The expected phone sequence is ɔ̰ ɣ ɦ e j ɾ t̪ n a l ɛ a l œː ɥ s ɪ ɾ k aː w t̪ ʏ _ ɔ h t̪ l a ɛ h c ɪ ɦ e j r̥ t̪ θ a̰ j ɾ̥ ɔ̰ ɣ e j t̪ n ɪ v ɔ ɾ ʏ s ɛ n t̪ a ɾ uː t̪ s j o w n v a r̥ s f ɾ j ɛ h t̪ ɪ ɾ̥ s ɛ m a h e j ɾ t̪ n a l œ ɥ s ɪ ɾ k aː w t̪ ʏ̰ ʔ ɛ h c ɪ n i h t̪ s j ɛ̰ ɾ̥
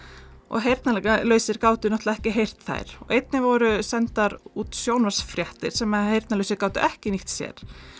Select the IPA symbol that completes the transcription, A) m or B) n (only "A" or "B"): B